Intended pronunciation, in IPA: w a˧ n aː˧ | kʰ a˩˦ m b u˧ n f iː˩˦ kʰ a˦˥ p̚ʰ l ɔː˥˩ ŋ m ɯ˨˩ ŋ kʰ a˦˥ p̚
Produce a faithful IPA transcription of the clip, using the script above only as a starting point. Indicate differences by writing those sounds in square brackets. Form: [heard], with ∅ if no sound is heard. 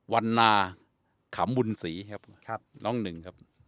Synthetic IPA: w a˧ [nː] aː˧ | kʰ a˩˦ m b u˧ n [s] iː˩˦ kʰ a˦˥ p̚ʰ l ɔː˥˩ ŋ [n] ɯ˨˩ ŋ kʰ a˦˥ p̚